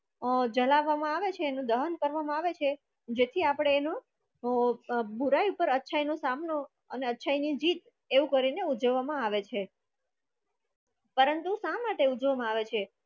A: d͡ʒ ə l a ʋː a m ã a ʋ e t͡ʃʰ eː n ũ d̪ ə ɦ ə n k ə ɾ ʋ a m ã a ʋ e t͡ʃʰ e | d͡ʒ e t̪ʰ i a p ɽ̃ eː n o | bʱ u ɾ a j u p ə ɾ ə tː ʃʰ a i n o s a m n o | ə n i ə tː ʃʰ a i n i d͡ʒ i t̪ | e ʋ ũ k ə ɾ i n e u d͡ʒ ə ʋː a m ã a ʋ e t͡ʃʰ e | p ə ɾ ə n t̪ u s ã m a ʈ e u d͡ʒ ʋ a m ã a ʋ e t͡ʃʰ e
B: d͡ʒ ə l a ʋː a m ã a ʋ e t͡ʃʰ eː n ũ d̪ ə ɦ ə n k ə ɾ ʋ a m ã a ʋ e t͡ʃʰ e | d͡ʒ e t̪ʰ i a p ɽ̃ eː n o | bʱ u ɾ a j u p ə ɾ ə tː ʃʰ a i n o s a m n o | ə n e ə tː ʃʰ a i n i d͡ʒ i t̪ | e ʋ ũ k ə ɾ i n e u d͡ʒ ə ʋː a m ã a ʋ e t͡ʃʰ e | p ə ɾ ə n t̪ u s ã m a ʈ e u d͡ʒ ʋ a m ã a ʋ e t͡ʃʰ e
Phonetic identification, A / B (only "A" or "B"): B